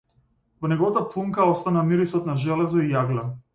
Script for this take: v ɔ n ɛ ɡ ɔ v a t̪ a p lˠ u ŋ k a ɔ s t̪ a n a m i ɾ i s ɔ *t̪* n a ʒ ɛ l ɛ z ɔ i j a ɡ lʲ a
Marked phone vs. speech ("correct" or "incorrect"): correct